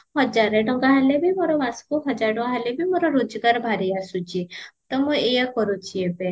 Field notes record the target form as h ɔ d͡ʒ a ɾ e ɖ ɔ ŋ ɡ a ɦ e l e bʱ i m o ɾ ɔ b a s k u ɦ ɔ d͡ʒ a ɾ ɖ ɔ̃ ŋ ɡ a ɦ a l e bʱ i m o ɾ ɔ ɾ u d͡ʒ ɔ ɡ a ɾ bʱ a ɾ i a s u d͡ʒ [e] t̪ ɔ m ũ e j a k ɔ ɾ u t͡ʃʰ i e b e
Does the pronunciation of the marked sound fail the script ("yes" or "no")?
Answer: yes